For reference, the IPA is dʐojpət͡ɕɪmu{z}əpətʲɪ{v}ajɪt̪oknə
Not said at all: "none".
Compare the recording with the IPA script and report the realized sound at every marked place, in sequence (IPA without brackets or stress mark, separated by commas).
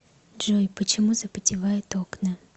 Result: z, v